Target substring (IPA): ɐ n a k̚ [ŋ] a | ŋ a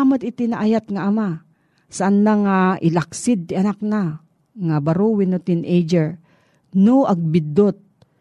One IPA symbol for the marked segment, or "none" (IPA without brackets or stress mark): n